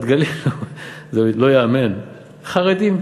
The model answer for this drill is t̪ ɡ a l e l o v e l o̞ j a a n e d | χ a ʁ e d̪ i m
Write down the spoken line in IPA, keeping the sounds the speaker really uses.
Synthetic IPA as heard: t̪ ɡ a l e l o z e l o̞ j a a m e n | χ a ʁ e d̪ i m